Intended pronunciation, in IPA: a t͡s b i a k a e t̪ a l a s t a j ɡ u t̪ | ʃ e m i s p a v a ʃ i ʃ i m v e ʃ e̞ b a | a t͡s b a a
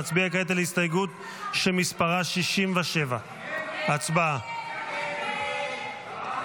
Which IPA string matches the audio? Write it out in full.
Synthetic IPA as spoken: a t͡s b i a k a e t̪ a l i s t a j ɡ u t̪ | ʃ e m i s p a ʁ a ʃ i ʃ i m v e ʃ e̞ v a | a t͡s b a a